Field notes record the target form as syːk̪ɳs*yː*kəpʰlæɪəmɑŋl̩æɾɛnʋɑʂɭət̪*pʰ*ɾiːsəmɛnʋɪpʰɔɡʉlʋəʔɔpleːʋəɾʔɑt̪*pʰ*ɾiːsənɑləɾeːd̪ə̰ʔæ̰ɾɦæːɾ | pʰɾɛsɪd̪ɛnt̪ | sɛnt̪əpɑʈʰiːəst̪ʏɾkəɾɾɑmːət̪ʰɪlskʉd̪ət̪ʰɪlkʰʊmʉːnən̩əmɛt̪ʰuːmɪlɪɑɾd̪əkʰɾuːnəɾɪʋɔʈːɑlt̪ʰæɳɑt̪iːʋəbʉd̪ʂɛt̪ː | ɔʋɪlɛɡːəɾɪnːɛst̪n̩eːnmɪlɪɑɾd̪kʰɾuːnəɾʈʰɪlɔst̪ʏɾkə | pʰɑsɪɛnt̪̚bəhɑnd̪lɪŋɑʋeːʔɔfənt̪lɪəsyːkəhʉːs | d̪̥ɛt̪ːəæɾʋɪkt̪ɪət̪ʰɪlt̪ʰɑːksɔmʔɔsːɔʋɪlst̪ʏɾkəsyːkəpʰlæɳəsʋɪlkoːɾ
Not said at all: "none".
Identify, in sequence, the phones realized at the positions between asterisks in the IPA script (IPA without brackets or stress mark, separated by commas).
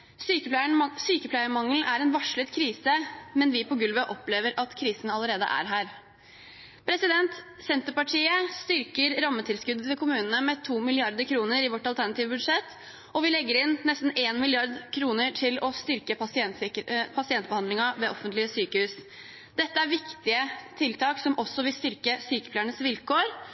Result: yː, kʰ, kʰ